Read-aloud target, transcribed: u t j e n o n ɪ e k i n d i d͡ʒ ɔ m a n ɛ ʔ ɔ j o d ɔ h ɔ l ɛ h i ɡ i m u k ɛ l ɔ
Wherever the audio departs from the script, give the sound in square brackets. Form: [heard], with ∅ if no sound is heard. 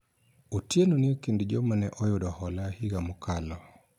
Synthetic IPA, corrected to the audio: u t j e n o n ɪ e k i n d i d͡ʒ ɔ m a n ɛ ʔ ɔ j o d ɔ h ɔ l [a] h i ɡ [a] m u k [a] l ɔ